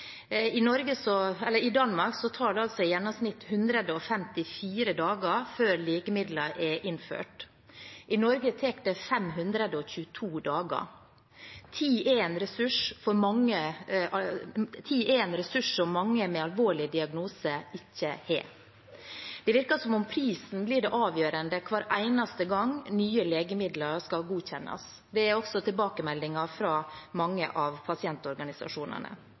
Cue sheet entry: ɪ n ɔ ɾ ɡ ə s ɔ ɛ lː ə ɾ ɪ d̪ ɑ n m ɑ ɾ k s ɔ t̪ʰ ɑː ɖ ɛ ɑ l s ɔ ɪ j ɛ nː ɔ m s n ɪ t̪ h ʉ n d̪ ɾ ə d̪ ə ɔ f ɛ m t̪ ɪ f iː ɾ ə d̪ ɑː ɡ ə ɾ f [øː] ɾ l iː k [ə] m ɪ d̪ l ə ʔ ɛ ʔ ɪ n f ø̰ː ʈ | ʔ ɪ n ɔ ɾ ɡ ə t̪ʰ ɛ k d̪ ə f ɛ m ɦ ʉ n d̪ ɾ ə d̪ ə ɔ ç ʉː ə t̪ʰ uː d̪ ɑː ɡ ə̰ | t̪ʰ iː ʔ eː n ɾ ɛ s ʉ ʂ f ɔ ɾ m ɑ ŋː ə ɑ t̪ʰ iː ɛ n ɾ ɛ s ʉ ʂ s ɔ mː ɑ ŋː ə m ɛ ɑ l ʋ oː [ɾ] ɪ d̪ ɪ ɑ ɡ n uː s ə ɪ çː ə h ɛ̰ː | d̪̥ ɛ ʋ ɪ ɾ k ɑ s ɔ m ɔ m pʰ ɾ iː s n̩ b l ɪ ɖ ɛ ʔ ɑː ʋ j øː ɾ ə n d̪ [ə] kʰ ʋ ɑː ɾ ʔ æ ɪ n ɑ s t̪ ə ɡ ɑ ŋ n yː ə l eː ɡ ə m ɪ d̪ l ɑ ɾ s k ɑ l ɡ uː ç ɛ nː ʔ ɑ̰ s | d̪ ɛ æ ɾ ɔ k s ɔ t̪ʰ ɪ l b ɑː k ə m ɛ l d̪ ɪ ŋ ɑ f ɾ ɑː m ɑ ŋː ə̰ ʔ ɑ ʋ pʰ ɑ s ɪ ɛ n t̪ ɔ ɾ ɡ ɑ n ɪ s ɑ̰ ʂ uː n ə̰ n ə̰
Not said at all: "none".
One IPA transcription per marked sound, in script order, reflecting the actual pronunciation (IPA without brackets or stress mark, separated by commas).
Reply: øː, ə, ɭ, ə